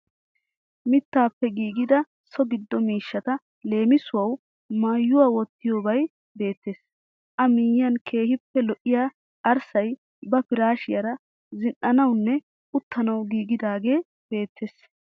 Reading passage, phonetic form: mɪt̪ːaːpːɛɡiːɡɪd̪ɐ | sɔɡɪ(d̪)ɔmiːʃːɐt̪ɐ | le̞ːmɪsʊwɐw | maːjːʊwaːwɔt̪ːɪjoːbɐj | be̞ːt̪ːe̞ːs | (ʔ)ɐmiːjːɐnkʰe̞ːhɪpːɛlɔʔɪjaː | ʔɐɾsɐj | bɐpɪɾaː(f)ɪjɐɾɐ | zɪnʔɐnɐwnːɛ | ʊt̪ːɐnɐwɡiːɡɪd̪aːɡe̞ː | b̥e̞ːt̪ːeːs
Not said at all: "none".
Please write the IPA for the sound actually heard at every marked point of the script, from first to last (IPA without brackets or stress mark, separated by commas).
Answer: d̪ː, ʔ, ʃ